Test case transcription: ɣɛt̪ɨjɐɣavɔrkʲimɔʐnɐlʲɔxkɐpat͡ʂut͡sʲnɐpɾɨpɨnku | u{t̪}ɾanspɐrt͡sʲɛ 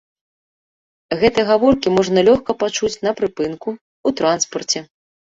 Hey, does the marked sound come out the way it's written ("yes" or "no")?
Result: yes